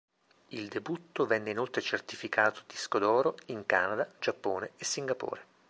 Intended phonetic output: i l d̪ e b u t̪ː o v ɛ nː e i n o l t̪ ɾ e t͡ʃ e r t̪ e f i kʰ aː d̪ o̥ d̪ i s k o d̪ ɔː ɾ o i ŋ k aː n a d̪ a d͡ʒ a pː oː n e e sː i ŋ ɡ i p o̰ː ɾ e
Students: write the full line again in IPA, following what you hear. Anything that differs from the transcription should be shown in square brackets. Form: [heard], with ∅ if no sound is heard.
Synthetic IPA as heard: i l d̪ e b u t̪ː o v ɛ nː e i n o l t̪ ɾ e t͡ʃ e r t̪ [i] f i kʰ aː [t̪] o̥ d̪ i s k o d̪ ɔː ɾ o i ŋ k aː n a d̪ a d͡ʒ a pː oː n e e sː i ŋ ɡ [a] p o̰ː ɾ e